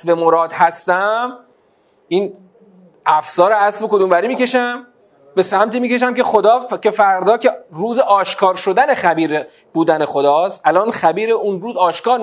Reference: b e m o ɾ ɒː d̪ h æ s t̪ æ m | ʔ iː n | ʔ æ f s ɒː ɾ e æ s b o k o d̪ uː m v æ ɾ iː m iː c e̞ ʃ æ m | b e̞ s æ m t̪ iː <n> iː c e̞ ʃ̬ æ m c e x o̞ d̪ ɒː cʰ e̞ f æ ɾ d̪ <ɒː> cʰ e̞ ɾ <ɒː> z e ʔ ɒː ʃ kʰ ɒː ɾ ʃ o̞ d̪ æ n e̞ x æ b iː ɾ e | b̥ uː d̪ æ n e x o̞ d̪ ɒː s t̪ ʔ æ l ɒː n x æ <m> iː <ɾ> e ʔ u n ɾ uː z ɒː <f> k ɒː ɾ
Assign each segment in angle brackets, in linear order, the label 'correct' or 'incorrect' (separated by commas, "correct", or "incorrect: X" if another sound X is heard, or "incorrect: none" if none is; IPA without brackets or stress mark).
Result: incorrect: m, correct, incorrect: uː, incorrect: b, correct, incorrect: ʃ